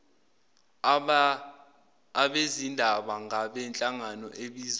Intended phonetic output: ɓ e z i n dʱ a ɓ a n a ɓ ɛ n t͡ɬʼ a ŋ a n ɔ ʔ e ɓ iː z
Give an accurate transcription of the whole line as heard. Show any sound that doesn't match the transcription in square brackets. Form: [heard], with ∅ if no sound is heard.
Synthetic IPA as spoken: ɓ e z i n dʱ a ɓ a [ŋ] a ɓ ɛ n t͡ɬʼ a ŋ a n ɔ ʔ e ɓ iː z